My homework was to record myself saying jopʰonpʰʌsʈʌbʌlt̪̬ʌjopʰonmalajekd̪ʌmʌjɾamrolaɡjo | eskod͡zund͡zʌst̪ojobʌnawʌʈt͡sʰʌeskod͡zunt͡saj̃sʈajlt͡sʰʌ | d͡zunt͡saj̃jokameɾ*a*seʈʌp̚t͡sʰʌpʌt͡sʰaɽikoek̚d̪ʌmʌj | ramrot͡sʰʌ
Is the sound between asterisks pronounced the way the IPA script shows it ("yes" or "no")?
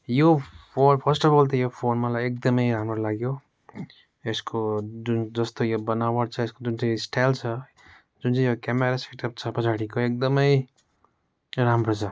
yes